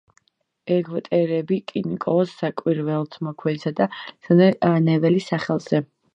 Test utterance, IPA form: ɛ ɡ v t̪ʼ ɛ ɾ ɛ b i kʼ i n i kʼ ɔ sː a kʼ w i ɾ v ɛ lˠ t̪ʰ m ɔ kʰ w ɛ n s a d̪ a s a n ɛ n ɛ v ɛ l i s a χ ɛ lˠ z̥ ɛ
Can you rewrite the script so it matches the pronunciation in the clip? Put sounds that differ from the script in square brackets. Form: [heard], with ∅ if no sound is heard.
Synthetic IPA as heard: ɛ ɡ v t̪ʼ ɛ ɾ ɛ b i kʼ i n i kʼ ɔ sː a kʼ w i ɾ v ɛ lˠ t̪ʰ m ɔ kʰ w ɛ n s a d̪ a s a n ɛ n ɛ v ɛ l i s a χ ɛ lˠ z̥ ɛ